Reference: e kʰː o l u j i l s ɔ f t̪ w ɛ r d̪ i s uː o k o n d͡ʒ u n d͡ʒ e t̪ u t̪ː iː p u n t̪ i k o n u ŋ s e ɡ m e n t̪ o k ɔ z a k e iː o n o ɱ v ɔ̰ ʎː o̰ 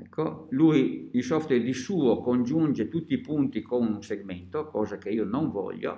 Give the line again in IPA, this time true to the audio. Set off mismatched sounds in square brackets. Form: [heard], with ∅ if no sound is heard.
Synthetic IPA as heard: [ɛ] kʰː o l u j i l s ɔ f t̪ w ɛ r d̪ i s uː o k o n d͡ʒ u n d͡ʒ e t̪ u t̪ː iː p u n t̪ i k o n u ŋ s e ɡ m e n t̪ o k [ɔː] z a k e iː o n o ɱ v ɔ̰ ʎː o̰